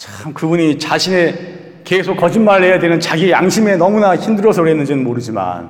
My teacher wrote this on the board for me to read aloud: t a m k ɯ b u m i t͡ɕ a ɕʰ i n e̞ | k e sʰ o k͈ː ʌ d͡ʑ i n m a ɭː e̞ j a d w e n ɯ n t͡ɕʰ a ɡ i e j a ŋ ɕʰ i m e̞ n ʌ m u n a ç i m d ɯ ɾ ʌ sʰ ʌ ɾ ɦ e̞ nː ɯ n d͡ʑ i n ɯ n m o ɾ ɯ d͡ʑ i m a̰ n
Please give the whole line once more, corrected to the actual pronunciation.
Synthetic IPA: t͡ɕ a m k ɯ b u ɲ i t͡ɕ a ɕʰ i n e̞ | k e sʰ o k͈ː ʌ d͡ʑ i n m a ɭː e̞ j a d w e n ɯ n t͡ɕ a ɡ i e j a ŋ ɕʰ i m e̞ n ʌ m u n a ç i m d ɯ ɾ ʌ sʰ ʌ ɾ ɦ e̞ nː ɯ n d͡ʑ i n ɯ n m o ɾ ɯ d͡ʑ i m a̰ n